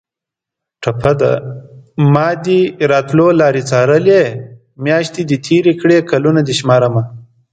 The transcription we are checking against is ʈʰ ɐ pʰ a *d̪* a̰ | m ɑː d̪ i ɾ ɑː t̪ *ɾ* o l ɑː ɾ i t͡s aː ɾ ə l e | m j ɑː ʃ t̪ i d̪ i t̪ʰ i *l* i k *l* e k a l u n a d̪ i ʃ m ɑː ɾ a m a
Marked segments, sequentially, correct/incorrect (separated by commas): correct, incorrect, incorrect, incorrect